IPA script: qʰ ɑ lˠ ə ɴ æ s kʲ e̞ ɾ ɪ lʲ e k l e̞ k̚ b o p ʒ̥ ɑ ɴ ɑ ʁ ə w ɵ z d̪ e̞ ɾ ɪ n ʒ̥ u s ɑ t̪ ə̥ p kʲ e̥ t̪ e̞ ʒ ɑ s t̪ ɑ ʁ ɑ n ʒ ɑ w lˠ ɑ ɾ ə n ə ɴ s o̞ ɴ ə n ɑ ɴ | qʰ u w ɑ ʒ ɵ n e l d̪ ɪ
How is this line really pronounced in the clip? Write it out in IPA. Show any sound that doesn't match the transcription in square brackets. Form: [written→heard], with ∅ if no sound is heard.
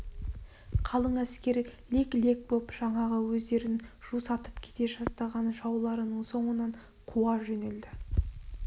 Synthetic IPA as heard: qʰ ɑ lˠ ə ɴ æ s kʲ e̞ ɾ ɪ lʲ e k l e̞ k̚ b o p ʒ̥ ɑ ɴ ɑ ʁ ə w ɵ z d̪ e̞ ɾ ɪ n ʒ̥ u s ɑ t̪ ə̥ p [kʲ→kʲʰ] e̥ t̪ e̞ ʒ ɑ s t̪ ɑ ʁ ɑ n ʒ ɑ w lˠ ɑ ɾ ə n ə ɴ s o̞ ɴ ə n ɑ ɴ | qʰ u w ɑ ʒ ɵ n e l d̪ ɪ